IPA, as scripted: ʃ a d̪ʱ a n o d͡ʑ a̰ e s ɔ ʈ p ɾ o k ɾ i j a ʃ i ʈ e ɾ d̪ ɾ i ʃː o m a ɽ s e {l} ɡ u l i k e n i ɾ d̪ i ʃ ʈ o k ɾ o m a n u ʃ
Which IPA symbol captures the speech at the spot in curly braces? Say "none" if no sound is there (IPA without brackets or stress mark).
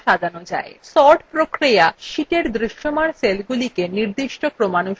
l